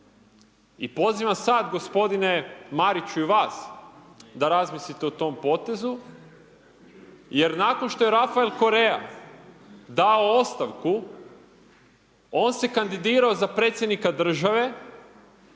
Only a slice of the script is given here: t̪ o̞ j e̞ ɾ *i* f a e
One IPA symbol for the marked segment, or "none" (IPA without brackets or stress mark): a